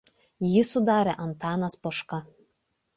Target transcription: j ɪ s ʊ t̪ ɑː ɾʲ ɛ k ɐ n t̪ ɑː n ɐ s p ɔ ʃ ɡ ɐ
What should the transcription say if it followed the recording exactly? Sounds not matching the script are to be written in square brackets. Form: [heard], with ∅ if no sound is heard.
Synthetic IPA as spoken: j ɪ s ʊ [d̪] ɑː ɾʲ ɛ [ʔ] ɐ n t̪ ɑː n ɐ s p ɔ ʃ [k] ɐ